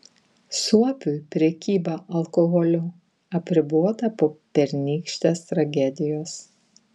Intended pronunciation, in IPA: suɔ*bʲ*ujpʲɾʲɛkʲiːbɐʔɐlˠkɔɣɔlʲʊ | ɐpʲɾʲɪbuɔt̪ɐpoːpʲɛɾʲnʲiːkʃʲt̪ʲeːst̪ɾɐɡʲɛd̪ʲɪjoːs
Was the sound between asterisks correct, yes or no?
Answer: no